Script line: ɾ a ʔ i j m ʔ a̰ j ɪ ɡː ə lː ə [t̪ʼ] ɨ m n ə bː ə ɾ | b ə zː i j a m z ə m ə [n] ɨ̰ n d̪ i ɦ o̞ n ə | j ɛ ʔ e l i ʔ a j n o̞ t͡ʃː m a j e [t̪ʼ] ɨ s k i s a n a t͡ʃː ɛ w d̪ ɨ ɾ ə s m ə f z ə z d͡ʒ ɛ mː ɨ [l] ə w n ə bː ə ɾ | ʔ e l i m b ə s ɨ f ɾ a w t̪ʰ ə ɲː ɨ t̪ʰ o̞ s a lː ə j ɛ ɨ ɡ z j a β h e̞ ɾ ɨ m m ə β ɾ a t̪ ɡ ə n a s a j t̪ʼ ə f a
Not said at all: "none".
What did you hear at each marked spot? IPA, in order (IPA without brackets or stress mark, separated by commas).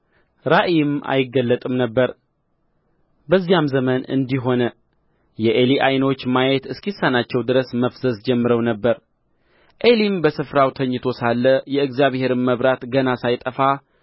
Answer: t̪ʼ, n, t̪, ɾ